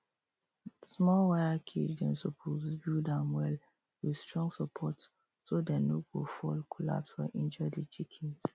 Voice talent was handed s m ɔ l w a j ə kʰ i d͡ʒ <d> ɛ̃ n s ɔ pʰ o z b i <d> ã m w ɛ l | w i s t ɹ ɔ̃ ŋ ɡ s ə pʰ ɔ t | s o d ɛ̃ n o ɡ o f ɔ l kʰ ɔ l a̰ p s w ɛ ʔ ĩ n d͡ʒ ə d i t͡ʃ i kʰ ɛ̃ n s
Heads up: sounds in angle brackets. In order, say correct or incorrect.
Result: correct, correct

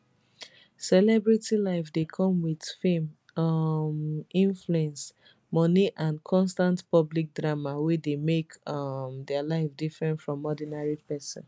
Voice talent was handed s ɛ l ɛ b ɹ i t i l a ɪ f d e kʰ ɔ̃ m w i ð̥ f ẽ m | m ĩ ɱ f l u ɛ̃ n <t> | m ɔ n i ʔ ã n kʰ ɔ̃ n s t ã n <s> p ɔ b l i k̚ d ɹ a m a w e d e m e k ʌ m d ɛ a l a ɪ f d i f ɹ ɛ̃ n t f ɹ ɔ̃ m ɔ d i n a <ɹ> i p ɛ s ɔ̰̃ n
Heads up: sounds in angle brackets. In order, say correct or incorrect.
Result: incorrect: s, incorrect: t, correct

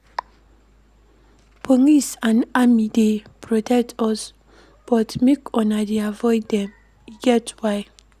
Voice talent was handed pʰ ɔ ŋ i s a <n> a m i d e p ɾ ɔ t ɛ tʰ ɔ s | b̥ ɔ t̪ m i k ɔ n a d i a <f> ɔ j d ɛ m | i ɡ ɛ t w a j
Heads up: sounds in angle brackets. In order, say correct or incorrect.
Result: correct, incorrect: v

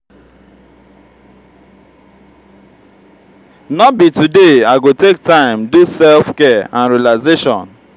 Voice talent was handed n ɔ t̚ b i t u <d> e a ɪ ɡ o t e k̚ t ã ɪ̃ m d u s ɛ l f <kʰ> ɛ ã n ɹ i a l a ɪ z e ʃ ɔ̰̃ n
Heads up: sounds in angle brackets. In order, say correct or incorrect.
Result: correct, incorrect: k

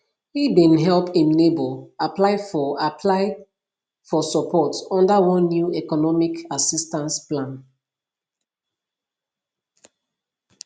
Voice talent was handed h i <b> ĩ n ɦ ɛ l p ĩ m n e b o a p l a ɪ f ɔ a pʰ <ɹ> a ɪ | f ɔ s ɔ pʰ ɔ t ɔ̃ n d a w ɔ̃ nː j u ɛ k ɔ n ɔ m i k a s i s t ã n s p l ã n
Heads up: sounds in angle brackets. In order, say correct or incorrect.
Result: correct, incorrect: l

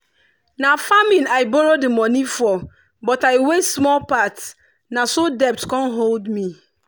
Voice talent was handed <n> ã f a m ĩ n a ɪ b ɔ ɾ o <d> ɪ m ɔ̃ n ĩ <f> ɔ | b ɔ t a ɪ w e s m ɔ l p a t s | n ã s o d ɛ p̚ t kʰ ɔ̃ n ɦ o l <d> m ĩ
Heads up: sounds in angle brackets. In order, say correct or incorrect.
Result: correct, correct, correct, correct

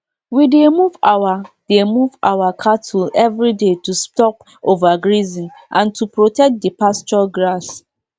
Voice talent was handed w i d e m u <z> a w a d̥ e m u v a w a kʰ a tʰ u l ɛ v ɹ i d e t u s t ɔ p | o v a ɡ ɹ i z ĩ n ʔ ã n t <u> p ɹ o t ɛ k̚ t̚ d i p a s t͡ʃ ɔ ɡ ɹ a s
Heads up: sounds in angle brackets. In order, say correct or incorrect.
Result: incorrect: v, correct

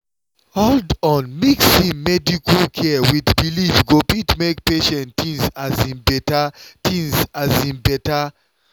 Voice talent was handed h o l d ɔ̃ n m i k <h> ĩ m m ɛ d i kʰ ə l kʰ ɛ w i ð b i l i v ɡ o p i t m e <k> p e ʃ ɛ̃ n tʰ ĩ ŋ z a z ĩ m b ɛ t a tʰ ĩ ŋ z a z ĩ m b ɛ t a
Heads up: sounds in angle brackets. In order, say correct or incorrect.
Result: incorrect: s, correct

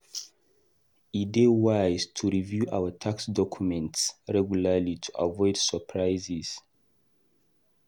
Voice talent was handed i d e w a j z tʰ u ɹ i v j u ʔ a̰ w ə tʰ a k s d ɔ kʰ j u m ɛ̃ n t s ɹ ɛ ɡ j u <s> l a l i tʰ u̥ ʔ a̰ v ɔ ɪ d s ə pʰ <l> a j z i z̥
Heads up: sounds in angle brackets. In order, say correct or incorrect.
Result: incorrect: none, incorrect: ɹ

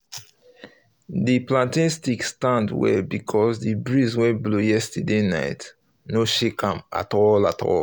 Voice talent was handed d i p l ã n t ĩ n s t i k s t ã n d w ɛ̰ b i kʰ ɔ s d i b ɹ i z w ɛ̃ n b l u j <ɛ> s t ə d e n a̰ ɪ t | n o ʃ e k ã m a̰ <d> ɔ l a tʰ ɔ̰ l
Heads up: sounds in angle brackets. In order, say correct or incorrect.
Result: correct, incorrect: t

